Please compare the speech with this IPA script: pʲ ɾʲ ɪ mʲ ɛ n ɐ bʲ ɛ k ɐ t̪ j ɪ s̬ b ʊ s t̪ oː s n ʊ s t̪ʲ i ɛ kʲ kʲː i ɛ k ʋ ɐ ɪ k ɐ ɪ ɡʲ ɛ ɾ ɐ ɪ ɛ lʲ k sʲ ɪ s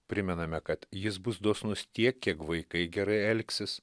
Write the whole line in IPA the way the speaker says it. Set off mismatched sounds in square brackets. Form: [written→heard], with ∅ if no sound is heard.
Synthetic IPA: pʲ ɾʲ ɪ mʲ ɛ n ɐ [bʲ→mʲ] ɛ k ɐ t̪ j ɪ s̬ b ʊ s [t̪→d̪] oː s n ʊ s t̪ʲ i ɛ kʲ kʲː i ɛ k ʋ ɐ ɪ k ɐ ɪ ɡʲ ɛ ɾ ɐ ɪ ɛ lʲ k sʲ ɪ s